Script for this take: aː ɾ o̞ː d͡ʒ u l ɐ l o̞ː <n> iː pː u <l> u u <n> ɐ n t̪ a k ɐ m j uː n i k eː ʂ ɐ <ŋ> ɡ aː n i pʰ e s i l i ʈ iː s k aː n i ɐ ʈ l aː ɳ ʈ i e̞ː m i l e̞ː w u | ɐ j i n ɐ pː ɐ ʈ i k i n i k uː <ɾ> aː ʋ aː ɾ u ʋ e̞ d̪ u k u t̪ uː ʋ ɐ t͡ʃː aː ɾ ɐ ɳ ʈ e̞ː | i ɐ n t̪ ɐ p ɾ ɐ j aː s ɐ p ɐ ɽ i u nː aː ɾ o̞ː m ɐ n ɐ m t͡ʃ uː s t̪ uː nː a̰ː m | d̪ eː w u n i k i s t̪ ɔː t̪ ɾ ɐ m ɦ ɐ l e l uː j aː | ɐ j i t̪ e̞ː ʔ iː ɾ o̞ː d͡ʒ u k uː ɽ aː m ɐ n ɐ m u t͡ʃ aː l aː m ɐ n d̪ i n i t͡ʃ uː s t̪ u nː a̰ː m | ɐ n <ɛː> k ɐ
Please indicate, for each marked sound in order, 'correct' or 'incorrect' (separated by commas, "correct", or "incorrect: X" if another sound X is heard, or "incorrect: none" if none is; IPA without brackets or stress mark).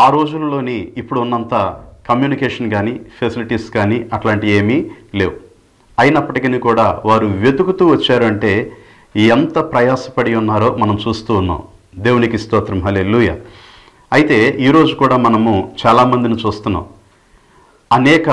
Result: correct, incorrect: ɽ, incorrect: nː, incorrect: n, incorrect: ɽ, correct